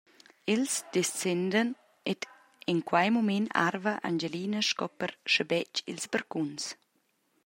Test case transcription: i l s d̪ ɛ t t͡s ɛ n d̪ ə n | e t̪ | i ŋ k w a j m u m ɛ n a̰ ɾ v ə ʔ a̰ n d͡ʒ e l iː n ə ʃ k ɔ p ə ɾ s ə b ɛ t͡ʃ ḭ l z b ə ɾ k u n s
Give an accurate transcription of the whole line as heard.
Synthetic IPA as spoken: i l s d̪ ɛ s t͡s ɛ n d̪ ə n | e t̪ | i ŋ k w a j m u m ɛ n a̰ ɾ v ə ʔ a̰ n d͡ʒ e l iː n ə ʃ k ɔ p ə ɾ ʃ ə b ɛ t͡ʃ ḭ l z b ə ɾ k u n s

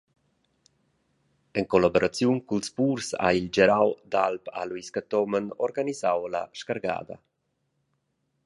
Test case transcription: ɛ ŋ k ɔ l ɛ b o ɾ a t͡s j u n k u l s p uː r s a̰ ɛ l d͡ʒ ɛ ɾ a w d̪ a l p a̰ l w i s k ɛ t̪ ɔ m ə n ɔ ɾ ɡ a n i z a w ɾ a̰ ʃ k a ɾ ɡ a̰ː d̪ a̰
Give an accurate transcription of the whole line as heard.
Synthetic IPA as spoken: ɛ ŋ k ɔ l a b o ɾ a t͡s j u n k u l s p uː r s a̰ i l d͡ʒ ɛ ɾ a w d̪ a l p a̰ l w i s k a t̪ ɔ m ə n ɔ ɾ ɡ a n i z a w l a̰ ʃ k a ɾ ɡ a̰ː d̪ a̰

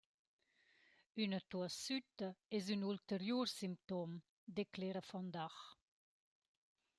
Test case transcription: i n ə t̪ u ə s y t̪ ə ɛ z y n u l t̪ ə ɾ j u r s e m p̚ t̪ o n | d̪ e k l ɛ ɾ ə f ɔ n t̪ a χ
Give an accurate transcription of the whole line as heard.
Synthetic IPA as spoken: y n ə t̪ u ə s y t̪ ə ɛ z y n u l t̪ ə ɾ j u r s i m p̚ t̪ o m | d̪ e k l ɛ ɾ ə f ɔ n d̪ a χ

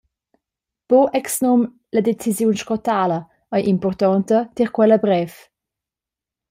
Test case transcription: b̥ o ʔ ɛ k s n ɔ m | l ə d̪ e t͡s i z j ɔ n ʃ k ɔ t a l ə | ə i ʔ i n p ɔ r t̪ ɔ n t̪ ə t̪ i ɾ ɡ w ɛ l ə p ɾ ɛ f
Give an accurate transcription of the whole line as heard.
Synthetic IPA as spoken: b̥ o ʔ ɛ k s n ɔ m | l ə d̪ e t͡s i z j u n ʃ k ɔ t a l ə | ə j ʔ i m p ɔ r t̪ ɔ n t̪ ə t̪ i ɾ k w ɛ l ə b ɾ ɛ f

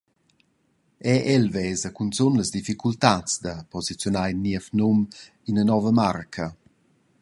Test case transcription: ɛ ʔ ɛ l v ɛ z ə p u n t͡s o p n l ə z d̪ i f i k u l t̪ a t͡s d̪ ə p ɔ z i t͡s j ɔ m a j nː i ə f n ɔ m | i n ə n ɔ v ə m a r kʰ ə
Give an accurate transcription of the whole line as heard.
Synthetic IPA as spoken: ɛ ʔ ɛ l v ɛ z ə k u n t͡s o n l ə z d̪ i f i k u l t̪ a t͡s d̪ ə p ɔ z i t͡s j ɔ n a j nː i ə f n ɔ m | i n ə n ɔ v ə m a r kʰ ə

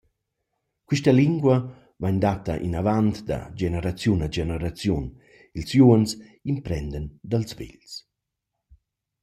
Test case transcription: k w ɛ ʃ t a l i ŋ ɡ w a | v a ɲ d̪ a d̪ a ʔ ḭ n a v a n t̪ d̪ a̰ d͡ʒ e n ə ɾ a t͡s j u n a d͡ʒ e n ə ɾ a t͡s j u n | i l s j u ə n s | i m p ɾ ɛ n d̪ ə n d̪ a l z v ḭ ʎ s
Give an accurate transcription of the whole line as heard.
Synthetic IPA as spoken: k w i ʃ t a l i ŋ ɡ w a | v a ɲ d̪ a t̪ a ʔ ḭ n a v a n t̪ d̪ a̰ d͡ʒ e n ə ɾ a t͡s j u n a d͡ʒ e n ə ɾ a t͡s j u n | i l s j u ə n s | i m p ɾ ɛ n d̪ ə n d̪ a l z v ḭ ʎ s

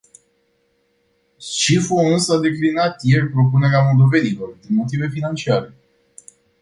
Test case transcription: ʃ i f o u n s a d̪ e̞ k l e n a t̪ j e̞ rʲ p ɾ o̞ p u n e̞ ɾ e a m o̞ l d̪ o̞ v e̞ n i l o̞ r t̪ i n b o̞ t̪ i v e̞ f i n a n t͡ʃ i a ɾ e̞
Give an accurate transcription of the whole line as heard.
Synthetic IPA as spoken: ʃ i f o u n s a d̪ e̞ k l i n a t̪ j e̞ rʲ p ɾ o̞ p u n e̞ ɾ e a m o̞ l d̪ o̞ v e̞ n i l o̞ r d̪ i n m o̞ t̪ i v e̞ f i n a n t͡ʃ i a ɾ e̞

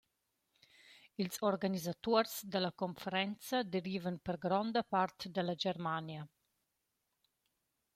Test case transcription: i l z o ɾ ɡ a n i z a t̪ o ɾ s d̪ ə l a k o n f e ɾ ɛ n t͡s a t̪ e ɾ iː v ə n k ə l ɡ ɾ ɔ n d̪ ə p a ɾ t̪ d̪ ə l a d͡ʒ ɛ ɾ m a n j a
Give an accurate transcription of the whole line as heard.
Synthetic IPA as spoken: i l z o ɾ ɡ a n i z a t̪ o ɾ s d̪ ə l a k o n f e ɾ ɛ n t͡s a d̪ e ɾ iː v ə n p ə ɾ ɡ ɾ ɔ n d̪ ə p a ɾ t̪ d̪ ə l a d͡ʒ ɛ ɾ m a n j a

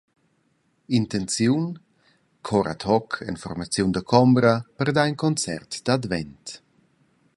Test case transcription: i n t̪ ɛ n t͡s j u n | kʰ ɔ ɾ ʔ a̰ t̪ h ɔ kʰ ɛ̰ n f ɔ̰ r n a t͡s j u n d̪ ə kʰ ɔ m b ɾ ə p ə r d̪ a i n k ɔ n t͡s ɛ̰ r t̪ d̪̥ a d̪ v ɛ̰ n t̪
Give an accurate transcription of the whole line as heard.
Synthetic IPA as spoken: i n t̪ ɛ n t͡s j u n | kʰ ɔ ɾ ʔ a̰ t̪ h ɔ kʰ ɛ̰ n f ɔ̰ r m a t͡s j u n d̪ ə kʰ ɔ m b ɾ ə p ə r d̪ a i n k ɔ n t͡s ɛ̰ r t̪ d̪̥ a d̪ v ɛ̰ n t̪

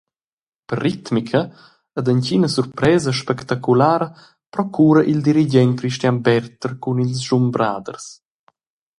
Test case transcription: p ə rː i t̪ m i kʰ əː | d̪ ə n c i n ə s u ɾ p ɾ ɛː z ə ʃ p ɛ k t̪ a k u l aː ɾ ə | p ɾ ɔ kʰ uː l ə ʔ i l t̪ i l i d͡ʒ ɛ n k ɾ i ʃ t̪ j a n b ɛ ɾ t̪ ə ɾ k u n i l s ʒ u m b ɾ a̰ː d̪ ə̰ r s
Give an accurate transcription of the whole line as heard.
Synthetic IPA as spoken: p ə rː i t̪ m i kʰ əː | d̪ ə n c i n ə s u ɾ p ɾ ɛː z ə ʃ p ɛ k t̪ a k u l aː ɾ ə | p ɾ ɔ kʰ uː ɾ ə ʔ i l d̪ i ɾ i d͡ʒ ɛ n k ɾ i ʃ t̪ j a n b ɛ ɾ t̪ ə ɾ k u n i l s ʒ u m b ɾ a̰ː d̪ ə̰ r s

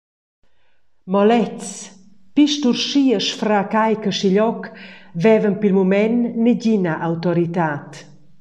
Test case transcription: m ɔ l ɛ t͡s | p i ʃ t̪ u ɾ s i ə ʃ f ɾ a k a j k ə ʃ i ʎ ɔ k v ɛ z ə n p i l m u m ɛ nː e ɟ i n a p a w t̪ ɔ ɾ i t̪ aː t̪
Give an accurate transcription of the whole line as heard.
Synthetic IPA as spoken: m ɔ l ɛ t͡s | p i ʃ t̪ u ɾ ʃ i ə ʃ f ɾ a k a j k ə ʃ i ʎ ɔ k v ɛ v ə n p i l m u m ɛ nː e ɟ i n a ʔ a w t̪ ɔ ɾ i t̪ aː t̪

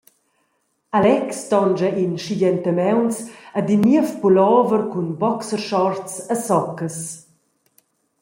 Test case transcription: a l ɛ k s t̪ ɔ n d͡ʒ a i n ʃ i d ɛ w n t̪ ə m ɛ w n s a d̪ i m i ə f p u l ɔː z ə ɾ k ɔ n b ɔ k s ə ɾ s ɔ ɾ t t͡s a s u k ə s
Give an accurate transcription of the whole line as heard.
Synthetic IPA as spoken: a l ɛ k s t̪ ɔ n d͡ʒ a i n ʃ i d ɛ n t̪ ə m ɛ w n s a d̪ i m i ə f p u l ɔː v ə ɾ k u n b ɔ k s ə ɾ ʃ ɔ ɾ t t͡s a s ɔ k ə s

